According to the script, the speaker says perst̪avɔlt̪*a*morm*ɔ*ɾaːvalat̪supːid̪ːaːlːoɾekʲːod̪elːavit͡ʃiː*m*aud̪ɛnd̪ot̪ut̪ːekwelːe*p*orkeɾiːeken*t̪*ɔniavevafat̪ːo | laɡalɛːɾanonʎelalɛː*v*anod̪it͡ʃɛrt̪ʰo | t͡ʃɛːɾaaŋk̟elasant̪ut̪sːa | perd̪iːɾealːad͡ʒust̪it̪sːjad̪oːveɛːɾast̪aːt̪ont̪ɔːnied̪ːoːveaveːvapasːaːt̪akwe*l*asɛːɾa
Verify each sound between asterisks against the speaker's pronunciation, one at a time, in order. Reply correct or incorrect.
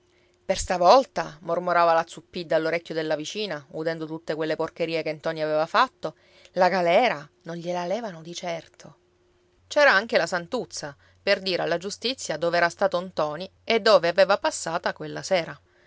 correct, incorrect, incorrect, correct, correct, correct, incorrect

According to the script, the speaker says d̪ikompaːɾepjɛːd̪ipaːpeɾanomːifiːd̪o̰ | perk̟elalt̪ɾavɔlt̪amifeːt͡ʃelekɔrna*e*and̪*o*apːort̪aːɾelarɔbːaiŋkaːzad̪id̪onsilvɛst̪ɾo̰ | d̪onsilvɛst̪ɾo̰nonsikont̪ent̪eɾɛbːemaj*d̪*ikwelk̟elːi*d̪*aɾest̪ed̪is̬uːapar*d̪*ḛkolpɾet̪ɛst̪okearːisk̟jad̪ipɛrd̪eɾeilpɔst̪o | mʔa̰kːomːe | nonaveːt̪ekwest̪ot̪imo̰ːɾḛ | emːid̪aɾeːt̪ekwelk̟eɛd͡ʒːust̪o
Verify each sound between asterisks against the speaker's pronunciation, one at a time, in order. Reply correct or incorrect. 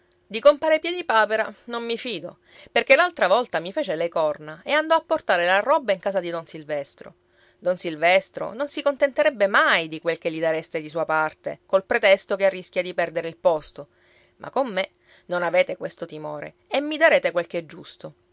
correct, incorrect, correct, correct, incorrect

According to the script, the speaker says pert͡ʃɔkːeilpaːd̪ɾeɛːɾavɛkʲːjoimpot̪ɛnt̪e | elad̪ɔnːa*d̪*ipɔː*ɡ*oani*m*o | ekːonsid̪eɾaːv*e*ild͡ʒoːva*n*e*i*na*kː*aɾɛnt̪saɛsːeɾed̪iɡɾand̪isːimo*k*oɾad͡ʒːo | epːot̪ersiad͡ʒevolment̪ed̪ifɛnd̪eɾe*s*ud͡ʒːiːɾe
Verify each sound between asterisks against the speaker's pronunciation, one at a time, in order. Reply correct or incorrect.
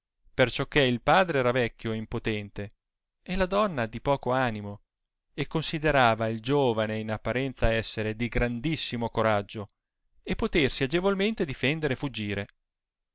correct, incorrect, correct, incorrect, correct, correct, incorrect, correct, incorrect

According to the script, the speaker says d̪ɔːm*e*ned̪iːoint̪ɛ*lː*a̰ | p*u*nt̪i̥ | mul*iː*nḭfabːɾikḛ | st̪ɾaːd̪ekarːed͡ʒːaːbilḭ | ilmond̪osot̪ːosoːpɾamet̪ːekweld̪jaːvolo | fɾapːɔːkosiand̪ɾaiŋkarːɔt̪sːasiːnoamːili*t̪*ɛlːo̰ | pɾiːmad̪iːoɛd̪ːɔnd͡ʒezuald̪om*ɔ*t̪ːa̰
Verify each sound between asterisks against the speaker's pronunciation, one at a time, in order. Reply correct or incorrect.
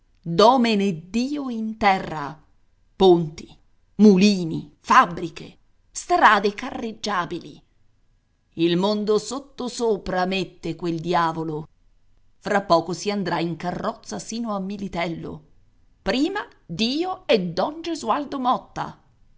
correct, incorrect, incorrect, correct, correct, correct

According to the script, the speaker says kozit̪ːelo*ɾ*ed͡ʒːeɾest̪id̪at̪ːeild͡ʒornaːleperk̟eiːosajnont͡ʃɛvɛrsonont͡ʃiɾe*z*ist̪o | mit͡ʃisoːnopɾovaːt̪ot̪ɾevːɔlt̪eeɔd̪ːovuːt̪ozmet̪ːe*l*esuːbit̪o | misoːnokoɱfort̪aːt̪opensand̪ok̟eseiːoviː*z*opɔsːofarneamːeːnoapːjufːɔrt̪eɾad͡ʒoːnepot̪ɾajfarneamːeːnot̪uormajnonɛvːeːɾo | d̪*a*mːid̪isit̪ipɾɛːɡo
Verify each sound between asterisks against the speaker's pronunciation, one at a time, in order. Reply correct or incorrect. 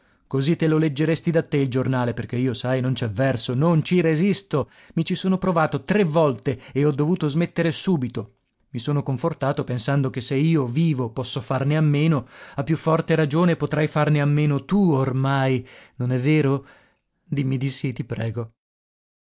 incorrect, correct, incorrect, incorrect, incorrect

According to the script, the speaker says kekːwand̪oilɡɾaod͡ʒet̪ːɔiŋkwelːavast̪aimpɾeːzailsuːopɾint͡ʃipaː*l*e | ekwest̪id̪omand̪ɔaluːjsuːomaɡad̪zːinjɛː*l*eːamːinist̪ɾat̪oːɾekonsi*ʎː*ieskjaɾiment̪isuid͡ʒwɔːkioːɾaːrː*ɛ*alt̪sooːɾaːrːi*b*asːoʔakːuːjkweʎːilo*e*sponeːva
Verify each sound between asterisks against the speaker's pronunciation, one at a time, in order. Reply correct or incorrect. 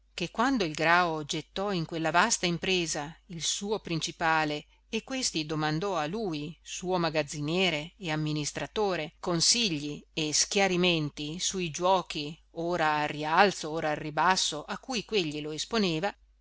correct, incorrect, correct, incorrect, correct, correct

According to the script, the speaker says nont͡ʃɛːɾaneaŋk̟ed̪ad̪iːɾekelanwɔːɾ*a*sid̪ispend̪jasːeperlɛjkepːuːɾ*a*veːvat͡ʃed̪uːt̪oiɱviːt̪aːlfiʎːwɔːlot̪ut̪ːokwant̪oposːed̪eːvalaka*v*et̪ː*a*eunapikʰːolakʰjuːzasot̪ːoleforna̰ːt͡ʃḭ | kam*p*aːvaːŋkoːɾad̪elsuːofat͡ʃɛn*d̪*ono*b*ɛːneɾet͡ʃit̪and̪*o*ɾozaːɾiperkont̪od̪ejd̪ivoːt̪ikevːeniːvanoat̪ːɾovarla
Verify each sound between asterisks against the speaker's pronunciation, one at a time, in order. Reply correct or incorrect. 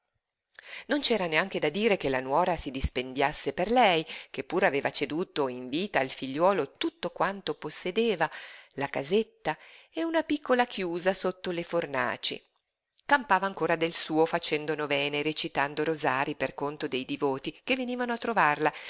correct, correct, incorrect, correct, correct, correct, incorrect, correct

